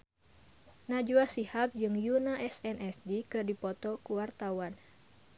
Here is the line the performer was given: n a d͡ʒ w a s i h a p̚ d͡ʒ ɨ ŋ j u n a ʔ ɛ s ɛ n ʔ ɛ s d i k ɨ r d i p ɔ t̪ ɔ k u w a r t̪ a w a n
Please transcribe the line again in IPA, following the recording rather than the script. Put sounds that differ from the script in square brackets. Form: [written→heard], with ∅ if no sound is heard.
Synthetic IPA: n a d͡ʒ [w→u] a s i h a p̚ d͡ʒ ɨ ŋ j u n a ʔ ɛ s ɛ n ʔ ɛ s d i k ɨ r d i p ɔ t̪ ɔ k u w a r t̪ a w a n